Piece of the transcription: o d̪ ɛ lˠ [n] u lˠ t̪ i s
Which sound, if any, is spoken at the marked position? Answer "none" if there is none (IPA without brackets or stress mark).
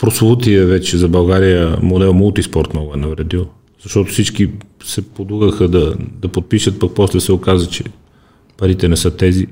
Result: m